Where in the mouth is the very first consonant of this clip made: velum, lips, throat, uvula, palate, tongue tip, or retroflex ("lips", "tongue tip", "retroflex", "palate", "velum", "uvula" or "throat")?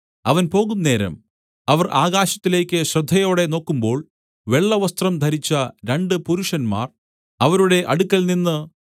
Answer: lips